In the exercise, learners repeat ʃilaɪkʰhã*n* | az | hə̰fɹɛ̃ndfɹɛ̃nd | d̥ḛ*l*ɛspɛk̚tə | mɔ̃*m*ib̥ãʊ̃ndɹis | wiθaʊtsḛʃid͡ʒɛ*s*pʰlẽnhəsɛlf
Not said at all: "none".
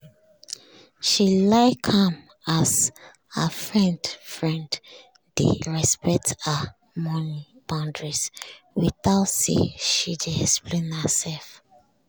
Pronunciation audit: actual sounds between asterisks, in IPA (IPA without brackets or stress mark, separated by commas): m, ɹ, n, s